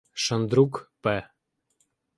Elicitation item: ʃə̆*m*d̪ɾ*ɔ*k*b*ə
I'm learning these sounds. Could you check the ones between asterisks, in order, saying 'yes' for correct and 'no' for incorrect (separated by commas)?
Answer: no, no, no